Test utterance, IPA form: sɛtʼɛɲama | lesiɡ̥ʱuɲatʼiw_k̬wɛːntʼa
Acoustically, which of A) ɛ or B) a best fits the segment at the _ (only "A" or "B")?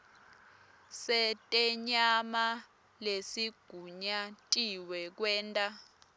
A